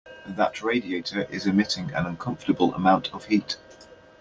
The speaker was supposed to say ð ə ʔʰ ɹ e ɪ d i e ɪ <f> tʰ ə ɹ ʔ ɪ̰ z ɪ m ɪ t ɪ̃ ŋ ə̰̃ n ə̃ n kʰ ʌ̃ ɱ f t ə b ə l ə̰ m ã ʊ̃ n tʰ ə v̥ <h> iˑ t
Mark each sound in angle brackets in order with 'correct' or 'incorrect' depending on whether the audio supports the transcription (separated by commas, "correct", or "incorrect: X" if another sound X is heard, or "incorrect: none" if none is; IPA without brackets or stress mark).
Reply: incorrect: none, correct